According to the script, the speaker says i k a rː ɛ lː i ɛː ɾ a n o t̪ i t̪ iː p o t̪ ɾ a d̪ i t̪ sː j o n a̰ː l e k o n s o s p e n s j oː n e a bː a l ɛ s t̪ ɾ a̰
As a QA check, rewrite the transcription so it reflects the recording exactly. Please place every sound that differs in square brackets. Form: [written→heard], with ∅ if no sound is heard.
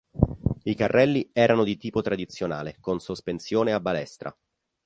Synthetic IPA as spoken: i k a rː ɛ lː i ɛː ɾ a n o [t̪→d̪] i t̪ iː p o t̪ ɾ a d̪ i t̪ sː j o n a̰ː l e k o n s o s p e n s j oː n e a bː a l ɛ s t̪ ɾ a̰